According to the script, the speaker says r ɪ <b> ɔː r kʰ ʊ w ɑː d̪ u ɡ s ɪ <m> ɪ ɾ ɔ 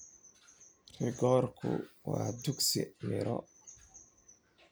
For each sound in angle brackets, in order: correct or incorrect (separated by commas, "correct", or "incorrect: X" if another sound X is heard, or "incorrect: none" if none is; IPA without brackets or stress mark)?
incorrect: ɡ, correct